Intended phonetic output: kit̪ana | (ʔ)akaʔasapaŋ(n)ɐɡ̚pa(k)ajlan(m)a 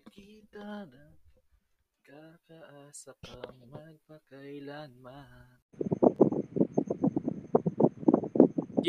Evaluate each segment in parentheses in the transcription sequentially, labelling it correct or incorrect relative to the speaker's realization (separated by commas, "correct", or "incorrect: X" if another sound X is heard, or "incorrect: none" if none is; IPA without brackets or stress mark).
incorrect: k, incorrect: m, correct, correct